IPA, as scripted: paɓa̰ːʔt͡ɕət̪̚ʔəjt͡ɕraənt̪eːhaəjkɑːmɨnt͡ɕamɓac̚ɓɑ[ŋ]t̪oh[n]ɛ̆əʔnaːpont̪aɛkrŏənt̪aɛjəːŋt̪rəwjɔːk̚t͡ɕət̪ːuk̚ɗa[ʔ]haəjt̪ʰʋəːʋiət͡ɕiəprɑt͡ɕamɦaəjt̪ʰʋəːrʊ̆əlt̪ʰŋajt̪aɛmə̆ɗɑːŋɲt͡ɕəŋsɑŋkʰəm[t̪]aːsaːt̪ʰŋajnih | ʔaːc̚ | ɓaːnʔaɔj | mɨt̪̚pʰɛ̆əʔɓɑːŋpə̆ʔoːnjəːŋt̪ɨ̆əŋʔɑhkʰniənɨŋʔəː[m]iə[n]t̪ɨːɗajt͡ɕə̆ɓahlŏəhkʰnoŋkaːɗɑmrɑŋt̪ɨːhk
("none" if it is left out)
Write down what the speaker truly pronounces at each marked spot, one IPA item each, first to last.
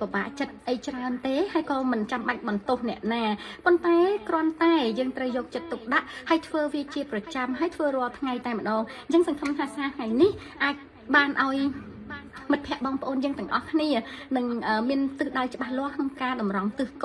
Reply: n, n, ʔ, t̪ʰ, m, n

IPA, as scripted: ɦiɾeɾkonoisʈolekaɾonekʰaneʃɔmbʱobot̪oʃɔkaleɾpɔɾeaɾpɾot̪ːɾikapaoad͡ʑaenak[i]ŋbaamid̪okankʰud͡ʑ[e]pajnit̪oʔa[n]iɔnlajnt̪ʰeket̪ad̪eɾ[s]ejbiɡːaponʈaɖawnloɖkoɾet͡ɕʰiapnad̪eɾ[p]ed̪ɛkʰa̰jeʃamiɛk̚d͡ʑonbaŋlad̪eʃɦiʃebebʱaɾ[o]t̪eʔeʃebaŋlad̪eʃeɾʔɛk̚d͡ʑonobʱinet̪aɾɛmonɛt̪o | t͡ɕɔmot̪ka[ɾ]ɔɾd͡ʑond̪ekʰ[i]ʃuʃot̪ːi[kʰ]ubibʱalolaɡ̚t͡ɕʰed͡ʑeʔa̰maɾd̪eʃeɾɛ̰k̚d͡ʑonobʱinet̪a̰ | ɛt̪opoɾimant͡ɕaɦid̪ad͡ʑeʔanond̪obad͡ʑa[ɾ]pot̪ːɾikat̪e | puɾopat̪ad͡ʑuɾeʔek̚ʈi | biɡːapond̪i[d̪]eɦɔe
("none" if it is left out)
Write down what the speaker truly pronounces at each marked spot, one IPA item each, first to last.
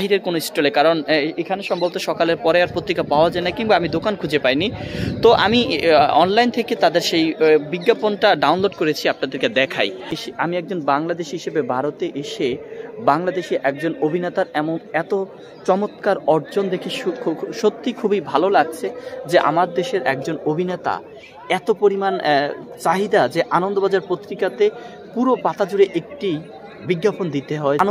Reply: i, e, m, ʃ, k, o, ɾ, i, kʰ, ɾ, t̪

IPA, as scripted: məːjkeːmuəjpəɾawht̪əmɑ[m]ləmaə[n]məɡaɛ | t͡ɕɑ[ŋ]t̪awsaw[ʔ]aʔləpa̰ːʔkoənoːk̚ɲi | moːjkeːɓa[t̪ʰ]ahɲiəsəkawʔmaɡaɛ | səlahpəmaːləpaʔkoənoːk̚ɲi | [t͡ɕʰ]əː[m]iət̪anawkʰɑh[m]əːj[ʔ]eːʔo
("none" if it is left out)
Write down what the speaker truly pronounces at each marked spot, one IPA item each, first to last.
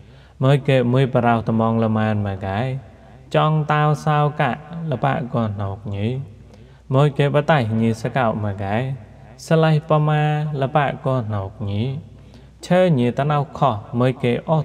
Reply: ŋ, n, ŋ, k, t̪, t͡ɕʰ, ɲ, m, k

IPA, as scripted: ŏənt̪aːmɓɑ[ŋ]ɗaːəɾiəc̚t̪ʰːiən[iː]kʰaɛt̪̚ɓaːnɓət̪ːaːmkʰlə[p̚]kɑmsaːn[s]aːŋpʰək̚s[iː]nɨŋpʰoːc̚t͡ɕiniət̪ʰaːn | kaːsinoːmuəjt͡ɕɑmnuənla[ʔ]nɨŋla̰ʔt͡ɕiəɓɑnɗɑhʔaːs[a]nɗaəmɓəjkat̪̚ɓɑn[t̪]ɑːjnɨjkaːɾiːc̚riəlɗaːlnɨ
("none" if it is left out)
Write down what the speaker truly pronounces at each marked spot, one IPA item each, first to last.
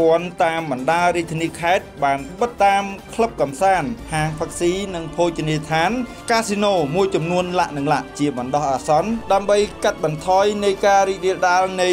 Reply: n, iː, p̚, h, iː, ʔ, ɑ, t̪ʰ

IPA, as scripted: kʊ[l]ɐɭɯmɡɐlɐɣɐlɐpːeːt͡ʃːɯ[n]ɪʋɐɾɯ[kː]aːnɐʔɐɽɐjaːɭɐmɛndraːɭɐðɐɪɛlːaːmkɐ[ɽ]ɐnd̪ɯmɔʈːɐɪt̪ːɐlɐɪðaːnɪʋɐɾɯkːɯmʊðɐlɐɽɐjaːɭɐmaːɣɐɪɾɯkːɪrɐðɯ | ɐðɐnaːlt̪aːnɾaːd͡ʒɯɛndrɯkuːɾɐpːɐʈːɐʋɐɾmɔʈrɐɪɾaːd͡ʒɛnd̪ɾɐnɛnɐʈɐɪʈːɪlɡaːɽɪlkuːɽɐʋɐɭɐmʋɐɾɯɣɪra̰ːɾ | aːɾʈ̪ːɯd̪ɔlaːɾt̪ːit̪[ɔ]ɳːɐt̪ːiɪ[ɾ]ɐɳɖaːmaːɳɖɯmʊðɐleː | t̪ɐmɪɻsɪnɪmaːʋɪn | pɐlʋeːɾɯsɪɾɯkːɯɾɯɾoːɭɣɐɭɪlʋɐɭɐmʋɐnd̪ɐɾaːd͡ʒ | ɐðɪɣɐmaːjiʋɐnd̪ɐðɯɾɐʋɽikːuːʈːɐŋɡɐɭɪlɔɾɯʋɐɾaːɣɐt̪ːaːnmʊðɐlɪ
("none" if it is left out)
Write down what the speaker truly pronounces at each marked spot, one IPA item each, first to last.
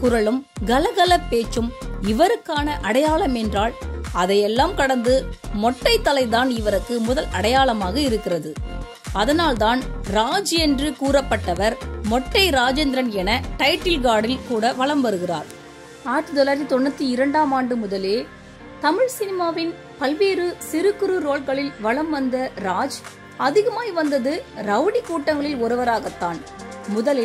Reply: ɾ, m, kː, ɽ, ɔ, ɾ

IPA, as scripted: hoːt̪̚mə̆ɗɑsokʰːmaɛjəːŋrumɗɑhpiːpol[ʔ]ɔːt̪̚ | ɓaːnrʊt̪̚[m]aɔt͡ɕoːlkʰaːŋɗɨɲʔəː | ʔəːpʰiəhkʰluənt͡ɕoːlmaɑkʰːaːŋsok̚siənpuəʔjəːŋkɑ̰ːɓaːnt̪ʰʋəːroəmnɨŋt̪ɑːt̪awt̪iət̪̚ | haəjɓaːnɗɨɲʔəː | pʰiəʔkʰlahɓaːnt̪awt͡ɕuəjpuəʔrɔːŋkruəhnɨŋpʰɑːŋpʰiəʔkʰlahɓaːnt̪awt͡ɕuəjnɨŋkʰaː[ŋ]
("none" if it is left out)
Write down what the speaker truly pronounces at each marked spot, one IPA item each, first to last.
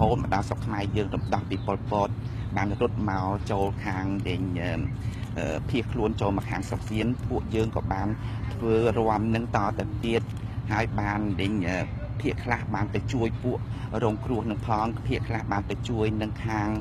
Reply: p, m, ŋ

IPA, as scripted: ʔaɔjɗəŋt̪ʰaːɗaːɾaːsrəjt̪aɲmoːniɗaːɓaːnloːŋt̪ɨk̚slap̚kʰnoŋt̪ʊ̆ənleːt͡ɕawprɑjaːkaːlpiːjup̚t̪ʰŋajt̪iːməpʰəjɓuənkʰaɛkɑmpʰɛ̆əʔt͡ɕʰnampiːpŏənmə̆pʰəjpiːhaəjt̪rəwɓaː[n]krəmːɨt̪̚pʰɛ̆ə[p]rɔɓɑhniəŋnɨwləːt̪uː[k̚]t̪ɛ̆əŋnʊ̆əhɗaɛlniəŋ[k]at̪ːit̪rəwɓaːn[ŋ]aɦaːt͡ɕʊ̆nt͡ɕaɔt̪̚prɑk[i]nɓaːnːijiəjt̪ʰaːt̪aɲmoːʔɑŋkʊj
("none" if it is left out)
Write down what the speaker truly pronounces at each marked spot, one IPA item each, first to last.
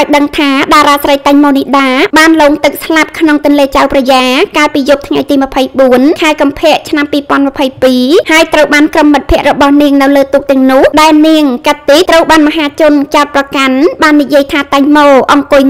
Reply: n, ʔ, k̚, k, m, a

